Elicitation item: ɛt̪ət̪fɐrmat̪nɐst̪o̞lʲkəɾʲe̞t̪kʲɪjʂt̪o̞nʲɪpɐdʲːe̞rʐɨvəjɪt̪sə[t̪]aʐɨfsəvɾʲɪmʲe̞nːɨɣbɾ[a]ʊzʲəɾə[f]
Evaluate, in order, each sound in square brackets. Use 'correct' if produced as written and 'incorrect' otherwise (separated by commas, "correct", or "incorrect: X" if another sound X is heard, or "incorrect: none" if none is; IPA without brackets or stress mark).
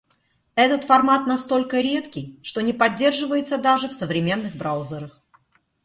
incorrect: d̪, correct, incorrect: x